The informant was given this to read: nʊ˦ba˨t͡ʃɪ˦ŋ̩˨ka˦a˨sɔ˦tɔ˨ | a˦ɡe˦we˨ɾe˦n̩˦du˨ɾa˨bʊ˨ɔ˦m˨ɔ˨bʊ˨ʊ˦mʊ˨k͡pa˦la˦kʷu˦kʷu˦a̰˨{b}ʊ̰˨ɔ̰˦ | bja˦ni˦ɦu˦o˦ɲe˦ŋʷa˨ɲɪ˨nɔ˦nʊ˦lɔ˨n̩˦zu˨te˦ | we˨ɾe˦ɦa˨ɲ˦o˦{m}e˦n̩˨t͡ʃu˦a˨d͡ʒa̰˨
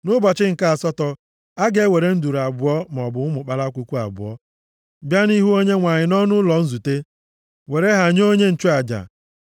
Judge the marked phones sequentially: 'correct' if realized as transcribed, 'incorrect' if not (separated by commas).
correct, incorrect